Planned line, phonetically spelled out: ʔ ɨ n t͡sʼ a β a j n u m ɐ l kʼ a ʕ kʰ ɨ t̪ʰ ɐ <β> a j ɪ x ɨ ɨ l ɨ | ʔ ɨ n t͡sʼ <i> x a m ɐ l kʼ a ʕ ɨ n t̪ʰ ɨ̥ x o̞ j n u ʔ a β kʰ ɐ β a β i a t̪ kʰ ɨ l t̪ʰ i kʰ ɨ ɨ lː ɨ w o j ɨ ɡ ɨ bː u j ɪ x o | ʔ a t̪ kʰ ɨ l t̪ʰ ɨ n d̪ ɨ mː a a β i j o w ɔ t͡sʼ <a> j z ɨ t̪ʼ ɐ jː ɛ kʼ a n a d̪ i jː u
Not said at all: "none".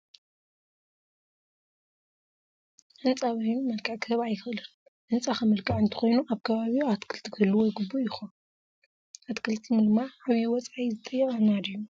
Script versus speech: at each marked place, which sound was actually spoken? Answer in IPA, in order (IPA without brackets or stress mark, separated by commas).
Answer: β, a, a